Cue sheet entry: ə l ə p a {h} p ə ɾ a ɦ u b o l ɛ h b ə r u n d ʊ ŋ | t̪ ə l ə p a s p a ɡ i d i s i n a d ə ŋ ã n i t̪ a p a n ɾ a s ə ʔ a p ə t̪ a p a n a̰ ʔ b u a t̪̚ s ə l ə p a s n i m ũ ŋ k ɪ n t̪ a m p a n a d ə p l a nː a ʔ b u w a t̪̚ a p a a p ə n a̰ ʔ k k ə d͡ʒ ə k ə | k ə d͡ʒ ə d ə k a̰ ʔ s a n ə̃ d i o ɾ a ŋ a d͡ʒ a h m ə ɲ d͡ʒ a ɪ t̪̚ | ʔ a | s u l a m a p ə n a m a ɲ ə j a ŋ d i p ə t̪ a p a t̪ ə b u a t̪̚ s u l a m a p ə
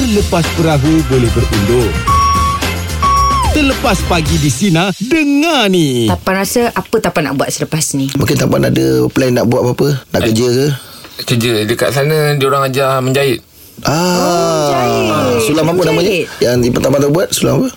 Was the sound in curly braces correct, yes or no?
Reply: no